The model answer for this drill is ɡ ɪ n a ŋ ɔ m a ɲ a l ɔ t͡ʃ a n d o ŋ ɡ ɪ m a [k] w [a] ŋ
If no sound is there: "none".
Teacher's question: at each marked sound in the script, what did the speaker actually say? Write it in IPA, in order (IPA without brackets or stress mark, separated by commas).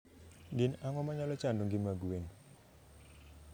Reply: ɡ, e